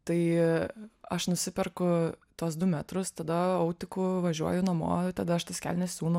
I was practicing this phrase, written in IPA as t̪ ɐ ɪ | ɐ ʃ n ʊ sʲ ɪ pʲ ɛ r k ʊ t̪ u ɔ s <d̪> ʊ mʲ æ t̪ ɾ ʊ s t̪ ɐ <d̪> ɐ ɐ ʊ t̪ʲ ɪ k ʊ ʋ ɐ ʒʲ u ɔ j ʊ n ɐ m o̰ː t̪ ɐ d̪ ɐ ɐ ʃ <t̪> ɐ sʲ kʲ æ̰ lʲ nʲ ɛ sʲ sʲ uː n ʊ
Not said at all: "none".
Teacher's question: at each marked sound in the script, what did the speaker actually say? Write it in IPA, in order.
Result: d̪, d̪, t̪

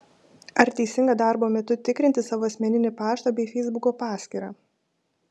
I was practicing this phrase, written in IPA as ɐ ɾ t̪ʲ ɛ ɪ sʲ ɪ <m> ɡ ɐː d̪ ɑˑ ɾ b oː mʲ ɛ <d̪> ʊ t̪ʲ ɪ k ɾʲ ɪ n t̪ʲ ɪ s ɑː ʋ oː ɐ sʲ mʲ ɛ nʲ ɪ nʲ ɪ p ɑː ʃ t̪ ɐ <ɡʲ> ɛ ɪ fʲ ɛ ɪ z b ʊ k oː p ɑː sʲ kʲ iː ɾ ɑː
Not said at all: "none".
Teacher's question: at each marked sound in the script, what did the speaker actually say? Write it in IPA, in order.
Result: ŋ, t̪, bʲ

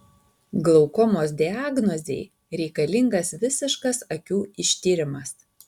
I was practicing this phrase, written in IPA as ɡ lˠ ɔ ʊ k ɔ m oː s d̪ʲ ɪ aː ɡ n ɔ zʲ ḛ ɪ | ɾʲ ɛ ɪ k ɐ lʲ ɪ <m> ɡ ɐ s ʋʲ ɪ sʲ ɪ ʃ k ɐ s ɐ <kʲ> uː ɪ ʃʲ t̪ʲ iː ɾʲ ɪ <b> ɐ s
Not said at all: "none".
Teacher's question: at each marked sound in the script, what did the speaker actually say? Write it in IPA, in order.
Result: ŋ, kʲ, m

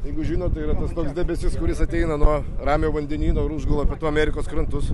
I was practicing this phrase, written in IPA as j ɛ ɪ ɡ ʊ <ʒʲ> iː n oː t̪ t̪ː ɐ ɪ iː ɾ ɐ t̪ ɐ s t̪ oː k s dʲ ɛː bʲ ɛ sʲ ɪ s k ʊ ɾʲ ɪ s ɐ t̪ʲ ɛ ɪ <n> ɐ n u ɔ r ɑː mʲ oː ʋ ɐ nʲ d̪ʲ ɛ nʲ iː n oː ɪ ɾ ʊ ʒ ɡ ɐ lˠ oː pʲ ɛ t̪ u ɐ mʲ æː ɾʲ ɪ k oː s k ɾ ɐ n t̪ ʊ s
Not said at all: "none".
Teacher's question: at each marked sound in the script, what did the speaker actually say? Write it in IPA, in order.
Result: ʒʲ, n

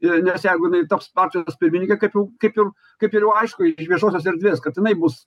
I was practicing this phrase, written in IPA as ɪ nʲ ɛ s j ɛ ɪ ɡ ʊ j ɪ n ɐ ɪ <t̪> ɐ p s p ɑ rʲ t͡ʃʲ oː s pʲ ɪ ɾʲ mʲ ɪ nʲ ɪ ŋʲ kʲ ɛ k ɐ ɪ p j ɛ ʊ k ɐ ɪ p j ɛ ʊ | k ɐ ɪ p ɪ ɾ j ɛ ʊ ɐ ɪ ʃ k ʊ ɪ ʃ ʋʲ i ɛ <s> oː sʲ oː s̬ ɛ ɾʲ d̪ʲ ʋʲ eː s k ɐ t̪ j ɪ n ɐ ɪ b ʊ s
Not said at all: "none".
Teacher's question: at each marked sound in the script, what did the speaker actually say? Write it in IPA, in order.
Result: t̪, ʃ

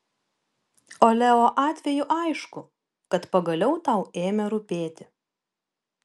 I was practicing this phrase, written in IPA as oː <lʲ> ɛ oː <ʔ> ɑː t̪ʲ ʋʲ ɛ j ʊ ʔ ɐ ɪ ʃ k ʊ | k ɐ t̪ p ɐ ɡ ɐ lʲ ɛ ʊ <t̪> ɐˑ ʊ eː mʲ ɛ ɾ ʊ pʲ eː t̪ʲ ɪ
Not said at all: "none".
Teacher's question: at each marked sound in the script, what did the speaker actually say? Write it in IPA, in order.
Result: lʲ, ʔ, t̪

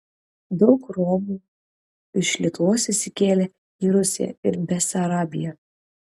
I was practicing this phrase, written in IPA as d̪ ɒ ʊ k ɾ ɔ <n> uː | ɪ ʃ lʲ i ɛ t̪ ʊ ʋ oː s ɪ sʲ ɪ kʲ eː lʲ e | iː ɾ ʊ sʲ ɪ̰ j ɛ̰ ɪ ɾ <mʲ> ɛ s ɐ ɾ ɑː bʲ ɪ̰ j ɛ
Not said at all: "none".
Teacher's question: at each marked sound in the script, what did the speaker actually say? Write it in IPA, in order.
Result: m, bʲ

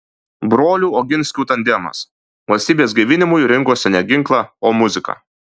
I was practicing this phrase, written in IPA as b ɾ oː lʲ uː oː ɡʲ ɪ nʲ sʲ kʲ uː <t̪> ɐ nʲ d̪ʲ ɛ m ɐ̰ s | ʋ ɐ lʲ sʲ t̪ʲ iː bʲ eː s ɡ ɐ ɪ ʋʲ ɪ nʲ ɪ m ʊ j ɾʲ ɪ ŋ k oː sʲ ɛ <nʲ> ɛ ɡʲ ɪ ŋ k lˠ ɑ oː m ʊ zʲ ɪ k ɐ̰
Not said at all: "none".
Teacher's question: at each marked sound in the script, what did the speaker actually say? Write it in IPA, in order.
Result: t̪, nʲ

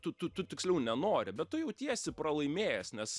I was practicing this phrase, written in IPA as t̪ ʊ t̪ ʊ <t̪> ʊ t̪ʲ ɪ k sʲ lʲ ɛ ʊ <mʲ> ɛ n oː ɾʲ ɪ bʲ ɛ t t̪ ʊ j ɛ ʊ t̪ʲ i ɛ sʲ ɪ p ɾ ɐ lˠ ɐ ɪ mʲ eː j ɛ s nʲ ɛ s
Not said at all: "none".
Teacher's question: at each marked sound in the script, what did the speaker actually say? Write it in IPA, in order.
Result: t̪, nʲ

